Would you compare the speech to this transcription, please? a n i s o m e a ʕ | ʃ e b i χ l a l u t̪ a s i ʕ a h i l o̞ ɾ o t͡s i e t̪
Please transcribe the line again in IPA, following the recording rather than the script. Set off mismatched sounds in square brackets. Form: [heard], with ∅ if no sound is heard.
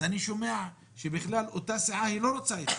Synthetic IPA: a n i [ʃ] o m e a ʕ | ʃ e b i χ l a l [o] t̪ a s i ʕ a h i l o̞ ɾ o t͡s [a] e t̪